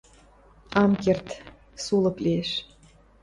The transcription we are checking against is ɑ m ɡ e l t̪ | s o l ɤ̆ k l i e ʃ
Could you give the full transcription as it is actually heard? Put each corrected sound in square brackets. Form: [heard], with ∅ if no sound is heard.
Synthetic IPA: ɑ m [k] e [r] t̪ | s [u] l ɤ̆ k l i e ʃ